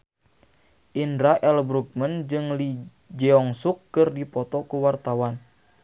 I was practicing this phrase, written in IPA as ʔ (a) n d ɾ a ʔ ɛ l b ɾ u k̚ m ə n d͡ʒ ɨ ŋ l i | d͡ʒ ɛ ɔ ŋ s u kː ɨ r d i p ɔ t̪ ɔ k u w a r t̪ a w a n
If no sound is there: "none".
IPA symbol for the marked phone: i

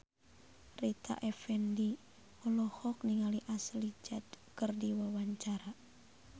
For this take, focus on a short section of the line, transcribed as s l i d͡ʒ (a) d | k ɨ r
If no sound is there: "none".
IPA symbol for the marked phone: a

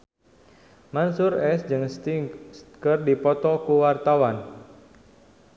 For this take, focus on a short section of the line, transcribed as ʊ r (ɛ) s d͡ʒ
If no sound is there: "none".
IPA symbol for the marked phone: ɛ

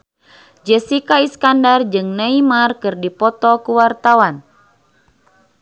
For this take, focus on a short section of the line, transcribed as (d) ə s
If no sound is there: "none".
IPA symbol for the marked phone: d͡ʒ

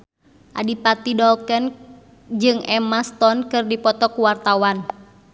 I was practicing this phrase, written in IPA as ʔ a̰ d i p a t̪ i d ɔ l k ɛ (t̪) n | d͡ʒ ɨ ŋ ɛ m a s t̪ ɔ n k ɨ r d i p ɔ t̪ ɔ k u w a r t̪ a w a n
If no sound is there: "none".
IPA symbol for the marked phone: none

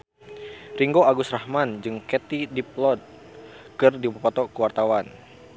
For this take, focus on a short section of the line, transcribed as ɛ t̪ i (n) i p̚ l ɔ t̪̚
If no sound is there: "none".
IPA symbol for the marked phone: d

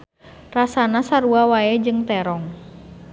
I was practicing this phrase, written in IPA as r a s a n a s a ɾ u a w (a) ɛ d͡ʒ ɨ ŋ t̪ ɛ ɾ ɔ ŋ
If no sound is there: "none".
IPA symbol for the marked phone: a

